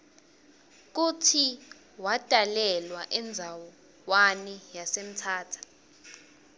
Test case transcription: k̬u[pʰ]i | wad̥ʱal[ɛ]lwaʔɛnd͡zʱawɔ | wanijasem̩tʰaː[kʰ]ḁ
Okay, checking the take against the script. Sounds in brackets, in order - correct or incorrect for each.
incorrect, correct, incorrect

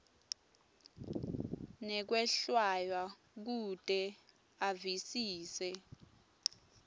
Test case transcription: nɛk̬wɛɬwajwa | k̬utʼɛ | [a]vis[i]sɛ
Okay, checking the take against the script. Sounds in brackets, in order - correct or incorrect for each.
correct, incorrect

